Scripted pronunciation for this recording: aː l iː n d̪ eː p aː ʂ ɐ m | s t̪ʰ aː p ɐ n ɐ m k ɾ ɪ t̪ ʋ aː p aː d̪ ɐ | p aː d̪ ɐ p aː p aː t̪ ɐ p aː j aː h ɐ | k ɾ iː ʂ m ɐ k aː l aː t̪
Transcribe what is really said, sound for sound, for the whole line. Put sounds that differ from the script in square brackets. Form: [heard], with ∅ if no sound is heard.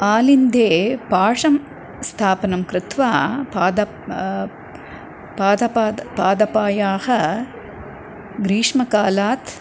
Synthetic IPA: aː l [i] n d̪ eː p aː ʂ ɐ m | s t̪ʰ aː p ɐ n ɐ m k ɾ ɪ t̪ ʋ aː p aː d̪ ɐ | p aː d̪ ɐ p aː p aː [d̪] ɐ p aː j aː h ɐ | [ɡ] ɾ iː ʂ m ɐ k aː l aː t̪